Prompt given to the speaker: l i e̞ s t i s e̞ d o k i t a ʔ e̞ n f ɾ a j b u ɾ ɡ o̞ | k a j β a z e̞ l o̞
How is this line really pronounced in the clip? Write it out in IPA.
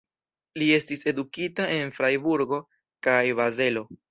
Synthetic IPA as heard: l i e̞ s t i s e̞ d u k i t a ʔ e̞ n f ɾ a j b u ɾ ɡ o̞ | k a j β a z e̞ l o̞